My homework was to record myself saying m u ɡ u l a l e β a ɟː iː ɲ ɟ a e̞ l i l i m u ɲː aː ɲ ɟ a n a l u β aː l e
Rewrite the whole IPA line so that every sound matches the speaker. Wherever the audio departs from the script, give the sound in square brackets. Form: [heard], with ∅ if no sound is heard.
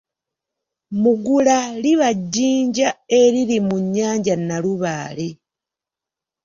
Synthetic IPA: m u ɡ u l a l [i] β a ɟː iː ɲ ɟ a e̞ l i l i m u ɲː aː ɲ ɟ a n a l u β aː l e